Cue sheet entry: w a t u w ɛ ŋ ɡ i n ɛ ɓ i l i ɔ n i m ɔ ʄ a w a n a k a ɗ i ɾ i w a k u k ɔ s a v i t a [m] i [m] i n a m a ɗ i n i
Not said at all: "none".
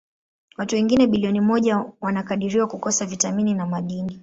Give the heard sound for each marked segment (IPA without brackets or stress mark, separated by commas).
m, n